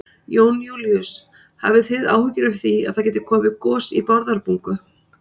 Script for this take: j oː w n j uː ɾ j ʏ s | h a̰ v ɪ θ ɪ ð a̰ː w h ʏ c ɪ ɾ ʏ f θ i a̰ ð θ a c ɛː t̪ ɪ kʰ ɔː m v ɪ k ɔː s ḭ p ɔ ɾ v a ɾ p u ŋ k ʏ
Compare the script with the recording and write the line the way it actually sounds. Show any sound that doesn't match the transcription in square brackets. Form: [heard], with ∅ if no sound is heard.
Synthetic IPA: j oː w n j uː [l] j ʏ s | h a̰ v ɪ θ ɪ ð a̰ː w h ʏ c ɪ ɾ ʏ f θ i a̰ ð θ a c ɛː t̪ ɪ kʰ ɔː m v ɪ k ɔː s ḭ p ɔ ɾ [ð] a ɾ p u ŋ k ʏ